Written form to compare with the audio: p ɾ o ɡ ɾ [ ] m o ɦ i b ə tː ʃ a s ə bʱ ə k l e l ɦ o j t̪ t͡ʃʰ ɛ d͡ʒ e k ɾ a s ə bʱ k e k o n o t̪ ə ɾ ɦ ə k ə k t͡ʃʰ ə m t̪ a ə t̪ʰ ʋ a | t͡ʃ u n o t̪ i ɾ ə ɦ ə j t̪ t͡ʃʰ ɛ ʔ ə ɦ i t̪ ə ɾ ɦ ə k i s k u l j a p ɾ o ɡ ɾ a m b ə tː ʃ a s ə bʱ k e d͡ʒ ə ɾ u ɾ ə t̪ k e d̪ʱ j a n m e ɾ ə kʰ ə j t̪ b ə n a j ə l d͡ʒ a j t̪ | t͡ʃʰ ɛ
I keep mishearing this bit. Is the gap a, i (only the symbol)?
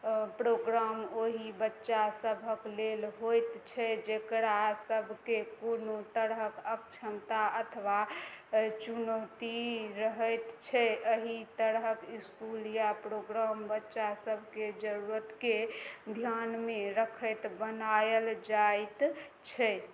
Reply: a